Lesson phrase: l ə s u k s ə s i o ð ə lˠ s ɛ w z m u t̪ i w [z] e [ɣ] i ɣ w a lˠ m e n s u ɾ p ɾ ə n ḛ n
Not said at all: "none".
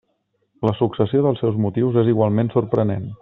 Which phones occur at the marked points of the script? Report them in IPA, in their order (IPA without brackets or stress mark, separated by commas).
z, z